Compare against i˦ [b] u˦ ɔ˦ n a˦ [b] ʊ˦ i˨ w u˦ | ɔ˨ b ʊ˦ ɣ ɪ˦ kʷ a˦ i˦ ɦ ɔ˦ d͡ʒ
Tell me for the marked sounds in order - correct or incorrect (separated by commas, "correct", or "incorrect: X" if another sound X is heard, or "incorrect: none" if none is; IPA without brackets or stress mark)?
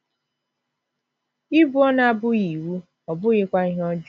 correct, correct